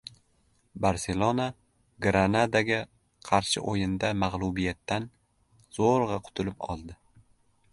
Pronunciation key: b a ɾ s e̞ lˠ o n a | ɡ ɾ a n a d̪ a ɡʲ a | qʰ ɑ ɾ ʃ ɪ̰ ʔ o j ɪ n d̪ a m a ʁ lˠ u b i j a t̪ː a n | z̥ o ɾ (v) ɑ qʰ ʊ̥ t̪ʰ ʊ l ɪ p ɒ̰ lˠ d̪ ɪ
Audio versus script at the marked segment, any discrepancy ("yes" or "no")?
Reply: yes